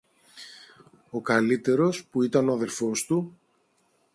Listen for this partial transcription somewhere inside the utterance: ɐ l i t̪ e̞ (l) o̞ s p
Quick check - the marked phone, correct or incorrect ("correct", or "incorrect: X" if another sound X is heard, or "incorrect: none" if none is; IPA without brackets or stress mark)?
incorrect: ɾ